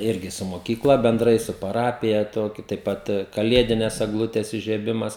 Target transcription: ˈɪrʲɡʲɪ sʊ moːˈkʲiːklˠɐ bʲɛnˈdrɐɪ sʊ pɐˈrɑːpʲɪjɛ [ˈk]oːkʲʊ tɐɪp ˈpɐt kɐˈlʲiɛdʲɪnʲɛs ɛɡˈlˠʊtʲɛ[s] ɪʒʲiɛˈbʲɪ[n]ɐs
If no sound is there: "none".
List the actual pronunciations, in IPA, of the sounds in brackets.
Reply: t, s, m

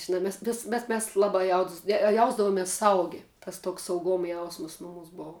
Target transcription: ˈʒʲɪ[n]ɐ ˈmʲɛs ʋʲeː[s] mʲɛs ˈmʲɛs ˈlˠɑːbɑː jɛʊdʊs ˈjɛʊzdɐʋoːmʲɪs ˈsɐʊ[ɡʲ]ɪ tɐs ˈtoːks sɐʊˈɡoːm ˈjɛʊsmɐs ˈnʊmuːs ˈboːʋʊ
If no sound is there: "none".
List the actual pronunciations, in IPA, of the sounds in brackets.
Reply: n, s, ɡʲ

